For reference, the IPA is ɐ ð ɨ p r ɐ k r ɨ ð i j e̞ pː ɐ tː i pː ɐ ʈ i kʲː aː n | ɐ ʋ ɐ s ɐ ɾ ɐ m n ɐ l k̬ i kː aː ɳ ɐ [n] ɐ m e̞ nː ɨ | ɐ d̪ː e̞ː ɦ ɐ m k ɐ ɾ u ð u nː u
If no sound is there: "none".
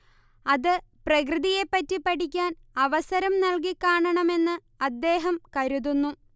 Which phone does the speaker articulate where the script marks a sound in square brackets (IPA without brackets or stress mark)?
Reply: ɳ